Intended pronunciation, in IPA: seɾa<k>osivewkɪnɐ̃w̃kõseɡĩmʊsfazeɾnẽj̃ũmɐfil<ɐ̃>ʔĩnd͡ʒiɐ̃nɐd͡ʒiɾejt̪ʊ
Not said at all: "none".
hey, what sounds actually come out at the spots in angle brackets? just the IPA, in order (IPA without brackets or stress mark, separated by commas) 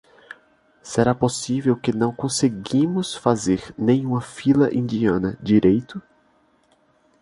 p, ɐ